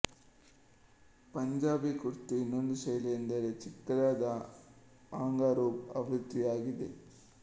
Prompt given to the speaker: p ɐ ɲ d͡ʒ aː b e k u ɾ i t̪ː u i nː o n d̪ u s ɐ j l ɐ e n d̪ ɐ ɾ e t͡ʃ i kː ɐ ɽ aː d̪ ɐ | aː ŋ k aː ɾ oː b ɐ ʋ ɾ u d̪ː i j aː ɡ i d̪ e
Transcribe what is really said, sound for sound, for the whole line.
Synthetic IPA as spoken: p ɐ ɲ d͡ʒ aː b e k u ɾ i t̪ː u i nː o n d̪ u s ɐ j l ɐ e n d̪ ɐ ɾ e t͡ʃ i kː ɐ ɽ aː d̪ ɐ | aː ŋ ɡ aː ɾ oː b ɐ ʋ ɾ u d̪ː i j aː ɡ i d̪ e